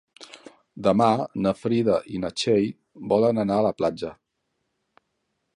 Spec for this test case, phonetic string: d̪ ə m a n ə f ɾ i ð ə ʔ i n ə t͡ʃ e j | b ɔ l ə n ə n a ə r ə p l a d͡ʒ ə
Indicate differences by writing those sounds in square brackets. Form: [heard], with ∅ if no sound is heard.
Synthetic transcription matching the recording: d̪ ə m a n ə f ɾ i ð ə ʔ i n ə t͡ʃ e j | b ɔ l ə n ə n a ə [l] ə p l a d͡ʒ ə